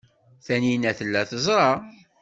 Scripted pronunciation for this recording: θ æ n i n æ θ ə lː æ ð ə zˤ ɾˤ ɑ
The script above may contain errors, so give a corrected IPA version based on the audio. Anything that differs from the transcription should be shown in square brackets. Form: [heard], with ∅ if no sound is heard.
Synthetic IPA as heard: θ æ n i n æ θ ə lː æ [θ] ə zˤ ɾˤ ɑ